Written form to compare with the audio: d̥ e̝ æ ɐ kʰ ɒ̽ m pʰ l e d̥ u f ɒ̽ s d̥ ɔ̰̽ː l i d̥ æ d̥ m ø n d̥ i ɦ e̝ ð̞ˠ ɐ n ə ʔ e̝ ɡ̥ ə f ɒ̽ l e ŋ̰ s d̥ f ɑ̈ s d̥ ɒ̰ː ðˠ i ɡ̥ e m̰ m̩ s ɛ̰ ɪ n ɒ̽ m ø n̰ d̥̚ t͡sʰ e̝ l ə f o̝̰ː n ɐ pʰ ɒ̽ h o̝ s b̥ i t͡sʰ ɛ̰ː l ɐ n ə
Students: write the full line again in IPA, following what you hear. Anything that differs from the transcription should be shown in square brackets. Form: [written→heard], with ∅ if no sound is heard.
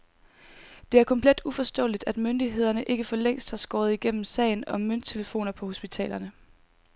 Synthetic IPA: d̥ e̝ æ ɐ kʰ ɒ̽ m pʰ l e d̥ u f ɒ̽ s d̥ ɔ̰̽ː l i d̥ æ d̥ m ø n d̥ i ɦ e̝ ð̞ˠ ɐ n ə ʔ e̝ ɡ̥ ə f ɒ̽ l e ŋ̰ s d̥ [f→h] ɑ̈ s [d̥→ɡ̥] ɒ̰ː ðˠ i ɡ̥ e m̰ m̩ s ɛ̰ ɪ n ɒ̽ m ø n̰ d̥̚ t͡sʰ e̝ l ə f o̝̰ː n ɐ pʰ ɒ̽ h o̝ s b̥ i t͡sʰ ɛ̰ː l ɐ n ə

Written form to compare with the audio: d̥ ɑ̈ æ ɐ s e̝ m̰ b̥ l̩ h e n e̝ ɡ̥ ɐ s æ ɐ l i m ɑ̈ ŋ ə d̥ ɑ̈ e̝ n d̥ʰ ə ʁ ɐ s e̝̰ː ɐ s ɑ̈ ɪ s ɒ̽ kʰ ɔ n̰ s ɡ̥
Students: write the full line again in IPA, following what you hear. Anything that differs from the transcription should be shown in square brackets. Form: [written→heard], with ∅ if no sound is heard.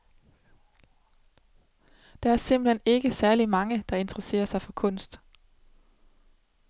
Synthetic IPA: d̥ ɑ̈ æ ɐ s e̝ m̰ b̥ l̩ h e n e̝ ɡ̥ [ɐ→ə] s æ ɐ l i m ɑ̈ ŋ ə d̥ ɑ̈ e̝ n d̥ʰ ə ʁ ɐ s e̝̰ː ɐ s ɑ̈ ɪ [s→f] ɒ̽ kʰ ɔ n̰ s [ɡ̥→d̥]

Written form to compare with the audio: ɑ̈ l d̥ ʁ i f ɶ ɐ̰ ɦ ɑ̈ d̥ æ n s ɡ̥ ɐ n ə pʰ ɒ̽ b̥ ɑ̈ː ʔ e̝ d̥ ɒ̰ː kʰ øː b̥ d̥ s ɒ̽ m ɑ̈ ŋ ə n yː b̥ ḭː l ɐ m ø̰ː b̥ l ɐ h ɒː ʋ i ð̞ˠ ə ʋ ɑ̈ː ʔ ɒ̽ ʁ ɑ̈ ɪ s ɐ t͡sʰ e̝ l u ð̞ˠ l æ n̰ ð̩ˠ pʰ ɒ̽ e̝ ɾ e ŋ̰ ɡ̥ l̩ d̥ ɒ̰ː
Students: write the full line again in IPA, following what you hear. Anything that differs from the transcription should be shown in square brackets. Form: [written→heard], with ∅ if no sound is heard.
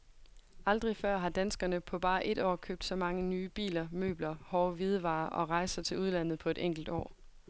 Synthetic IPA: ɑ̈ l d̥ ʁ i f ɶ ɐ̰ ɦ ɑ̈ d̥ æ n s ɡ̥ ɐ n ə pʰ ɒ̽ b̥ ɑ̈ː ʔ e̝ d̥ ɒ̰ː kʰ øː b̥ d̥ s ɒ̽ m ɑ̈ ŋ ə n yː b̥ ḭː l ɐ m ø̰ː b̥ l ɐ h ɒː ʋ i ð̞ˠ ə ʋ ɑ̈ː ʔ ɒ̽ ʁ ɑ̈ ɪ s ɐ t͡sʰ e̝ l u ð̞ˠ l æ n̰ ð̩ˠ pʰ ɒ̽ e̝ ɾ e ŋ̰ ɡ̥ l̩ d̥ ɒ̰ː

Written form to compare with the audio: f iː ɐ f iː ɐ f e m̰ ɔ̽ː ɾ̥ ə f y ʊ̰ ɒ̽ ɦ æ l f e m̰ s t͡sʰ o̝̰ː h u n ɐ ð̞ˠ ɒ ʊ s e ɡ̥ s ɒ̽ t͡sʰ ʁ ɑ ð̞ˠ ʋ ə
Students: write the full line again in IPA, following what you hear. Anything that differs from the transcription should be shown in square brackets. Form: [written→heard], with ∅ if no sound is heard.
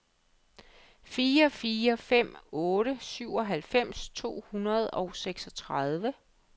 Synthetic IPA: f iː ɐ f iː ɐ f e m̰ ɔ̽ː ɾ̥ ə [f→s] y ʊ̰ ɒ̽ ɦ æ l f e m̰ s t͡sʰ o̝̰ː h u n ɐ ð̞ˠ ɒ ʊ s e ɡ̥ s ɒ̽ t͡sʰ ʁ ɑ ð̞ˠ ʋ ə

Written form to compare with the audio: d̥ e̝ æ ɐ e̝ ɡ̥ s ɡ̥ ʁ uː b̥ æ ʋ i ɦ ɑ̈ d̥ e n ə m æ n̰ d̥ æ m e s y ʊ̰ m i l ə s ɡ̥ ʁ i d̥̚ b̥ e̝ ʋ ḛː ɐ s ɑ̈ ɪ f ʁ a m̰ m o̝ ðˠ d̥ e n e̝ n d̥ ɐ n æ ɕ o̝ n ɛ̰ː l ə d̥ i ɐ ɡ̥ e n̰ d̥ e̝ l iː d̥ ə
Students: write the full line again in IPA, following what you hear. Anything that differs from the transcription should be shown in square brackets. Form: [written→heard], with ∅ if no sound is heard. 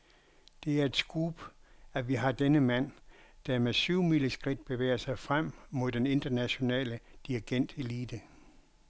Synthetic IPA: d̥ e̝ æ ɐ e̝ [ɡ̥→d̥] s ɡ̥ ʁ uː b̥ æ ʋ i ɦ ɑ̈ d̥ e n ə m æ n̰ d̥ æ m e s y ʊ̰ m i l ə s ɡ̥ ʁ i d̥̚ b̥ e̝ ʋ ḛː ɐ s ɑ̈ ɪ f ʁ a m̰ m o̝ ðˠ d̥ e n e̝ n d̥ ɐ n æ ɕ o̝ n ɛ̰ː l ə d̥ i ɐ ɡ̥ e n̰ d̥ e̝ l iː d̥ ə

